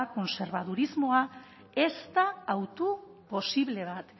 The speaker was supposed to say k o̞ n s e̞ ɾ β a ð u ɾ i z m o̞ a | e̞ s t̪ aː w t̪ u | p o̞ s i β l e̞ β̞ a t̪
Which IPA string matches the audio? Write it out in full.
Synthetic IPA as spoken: k o̞ n s e̞ ɾ β a ð u ɾ i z m o̞ a | e̞ s t̪ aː w t̪ u | p o̞ s i β l e̞ β̞ a t̪